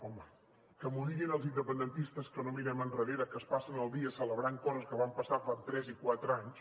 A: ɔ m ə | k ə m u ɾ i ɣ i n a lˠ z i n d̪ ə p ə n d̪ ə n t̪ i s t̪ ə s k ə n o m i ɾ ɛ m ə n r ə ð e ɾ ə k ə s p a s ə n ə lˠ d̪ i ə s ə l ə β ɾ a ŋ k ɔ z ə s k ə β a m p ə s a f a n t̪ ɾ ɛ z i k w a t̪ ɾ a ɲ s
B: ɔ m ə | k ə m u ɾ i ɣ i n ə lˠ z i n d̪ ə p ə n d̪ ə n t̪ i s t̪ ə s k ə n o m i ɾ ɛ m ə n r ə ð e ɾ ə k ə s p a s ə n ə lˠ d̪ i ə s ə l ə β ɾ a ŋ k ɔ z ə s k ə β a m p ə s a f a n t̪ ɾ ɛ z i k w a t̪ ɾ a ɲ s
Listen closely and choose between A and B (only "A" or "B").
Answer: B